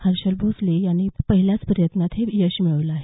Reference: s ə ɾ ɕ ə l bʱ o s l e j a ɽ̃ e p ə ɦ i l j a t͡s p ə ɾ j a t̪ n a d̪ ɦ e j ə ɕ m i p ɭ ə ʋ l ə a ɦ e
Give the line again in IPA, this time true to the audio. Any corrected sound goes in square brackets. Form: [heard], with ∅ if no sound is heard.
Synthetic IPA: [h] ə ɾ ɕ ə l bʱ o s l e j a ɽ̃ [i] p ə ɦ i l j a t͡s p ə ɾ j [ə] t̪ n a [t̪] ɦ e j ə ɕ m i [∅] ɭ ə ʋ l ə a ɦ e